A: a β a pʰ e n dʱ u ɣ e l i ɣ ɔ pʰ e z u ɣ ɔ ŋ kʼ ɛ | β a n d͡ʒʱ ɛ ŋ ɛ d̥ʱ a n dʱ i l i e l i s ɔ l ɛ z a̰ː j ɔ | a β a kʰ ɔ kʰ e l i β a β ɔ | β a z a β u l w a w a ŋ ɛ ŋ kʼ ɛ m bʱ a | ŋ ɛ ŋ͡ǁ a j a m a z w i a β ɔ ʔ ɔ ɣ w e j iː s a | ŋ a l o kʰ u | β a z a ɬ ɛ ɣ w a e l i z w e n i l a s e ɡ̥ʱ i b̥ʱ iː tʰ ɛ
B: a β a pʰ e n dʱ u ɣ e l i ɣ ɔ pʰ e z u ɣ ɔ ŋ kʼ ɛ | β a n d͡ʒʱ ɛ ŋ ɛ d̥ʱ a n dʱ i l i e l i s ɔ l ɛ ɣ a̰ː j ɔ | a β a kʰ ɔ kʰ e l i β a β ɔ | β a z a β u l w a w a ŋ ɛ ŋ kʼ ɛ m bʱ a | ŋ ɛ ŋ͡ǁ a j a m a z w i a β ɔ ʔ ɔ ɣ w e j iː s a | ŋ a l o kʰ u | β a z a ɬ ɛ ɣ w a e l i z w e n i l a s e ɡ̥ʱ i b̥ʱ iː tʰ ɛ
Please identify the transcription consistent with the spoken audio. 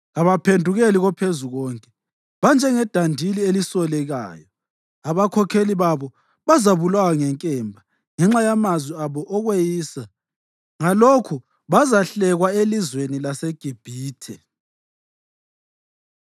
B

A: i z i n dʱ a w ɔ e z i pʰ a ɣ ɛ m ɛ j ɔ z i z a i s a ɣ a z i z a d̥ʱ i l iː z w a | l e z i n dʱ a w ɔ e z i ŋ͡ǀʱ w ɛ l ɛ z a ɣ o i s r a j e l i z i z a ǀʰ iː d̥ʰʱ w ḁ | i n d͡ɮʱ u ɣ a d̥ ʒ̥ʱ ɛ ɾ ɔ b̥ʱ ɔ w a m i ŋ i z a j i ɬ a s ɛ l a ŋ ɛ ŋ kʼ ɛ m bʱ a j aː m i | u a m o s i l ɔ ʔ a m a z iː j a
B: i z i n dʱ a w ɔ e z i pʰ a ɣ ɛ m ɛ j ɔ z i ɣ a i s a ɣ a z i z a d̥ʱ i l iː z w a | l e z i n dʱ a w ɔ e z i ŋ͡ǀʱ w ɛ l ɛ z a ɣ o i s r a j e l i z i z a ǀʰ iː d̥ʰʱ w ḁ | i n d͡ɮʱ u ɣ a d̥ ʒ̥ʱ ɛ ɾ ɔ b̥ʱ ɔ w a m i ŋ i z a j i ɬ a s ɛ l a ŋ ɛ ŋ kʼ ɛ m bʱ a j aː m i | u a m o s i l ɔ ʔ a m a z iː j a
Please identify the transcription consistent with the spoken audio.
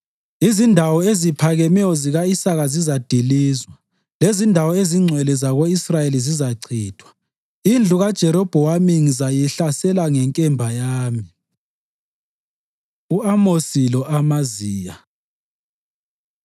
B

